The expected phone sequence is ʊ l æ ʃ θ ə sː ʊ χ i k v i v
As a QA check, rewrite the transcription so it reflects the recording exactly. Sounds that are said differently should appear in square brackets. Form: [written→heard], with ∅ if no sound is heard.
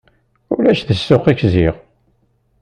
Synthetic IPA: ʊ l æ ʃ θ ə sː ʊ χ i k [v→z] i [v→ʁ]